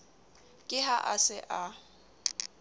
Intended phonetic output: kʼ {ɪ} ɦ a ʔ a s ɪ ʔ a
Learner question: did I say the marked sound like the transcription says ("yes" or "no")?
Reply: yes